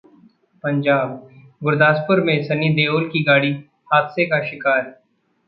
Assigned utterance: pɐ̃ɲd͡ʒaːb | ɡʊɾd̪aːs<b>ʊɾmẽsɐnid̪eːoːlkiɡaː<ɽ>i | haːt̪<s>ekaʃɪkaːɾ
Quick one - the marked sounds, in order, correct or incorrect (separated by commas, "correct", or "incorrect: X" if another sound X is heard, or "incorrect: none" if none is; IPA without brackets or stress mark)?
incorrect: p, correct, correct